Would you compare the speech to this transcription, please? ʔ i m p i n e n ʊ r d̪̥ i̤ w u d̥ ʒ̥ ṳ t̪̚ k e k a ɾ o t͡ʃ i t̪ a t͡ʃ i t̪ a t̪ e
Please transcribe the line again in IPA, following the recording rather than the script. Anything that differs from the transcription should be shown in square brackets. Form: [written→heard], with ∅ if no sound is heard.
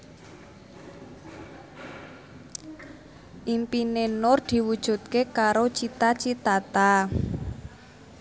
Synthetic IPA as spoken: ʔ i m p i n e n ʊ r d̪̥ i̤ w u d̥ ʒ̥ ṳ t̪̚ k e k a ɾ o t͡ʃ i t̪ a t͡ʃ i t̪ a t̪ [e→a]